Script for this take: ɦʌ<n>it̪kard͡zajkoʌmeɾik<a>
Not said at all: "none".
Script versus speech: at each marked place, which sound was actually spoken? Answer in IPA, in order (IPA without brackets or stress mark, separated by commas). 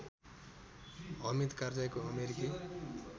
m, i